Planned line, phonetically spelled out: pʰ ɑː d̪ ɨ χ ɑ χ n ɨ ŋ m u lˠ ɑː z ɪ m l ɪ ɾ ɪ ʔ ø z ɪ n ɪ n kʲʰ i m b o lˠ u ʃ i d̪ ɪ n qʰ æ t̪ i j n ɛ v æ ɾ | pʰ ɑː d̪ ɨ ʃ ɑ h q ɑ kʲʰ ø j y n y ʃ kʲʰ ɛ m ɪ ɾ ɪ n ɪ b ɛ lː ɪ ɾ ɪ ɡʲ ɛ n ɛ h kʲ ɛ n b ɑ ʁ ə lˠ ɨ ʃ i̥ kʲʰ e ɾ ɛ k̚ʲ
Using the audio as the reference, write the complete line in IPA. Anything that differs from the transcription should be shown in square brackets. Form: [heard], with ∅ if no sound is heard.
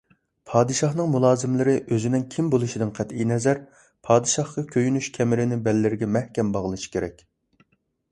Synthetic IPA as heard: pʰ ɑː d̪ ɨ [ʃ] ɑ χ n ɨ ŋ m u lˠ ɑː z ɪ m l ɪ ɾ ɪ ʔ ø z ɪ n ɪ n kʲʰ i m b o lˠ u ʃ i d̪ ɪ n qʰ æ t̪ i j n ɛ [z] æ ɾ | pʰ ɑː d̪ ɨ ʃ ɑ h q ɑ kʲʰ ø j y n y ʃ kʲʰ ɛ m ɪ ɾ ɪ n ɪ b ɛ lː ɪ ɾ ɪ ɡʲ ɛ [m] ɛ h kʲ ɛ [m] b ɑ ʁ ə lˠ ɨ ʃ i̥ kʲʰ e ɾ ɛ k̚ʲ